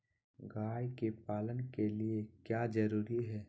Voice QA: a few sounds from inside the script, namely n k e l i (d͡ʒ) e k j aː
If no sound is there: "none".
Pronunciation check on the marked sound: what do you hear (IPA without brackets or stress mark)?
none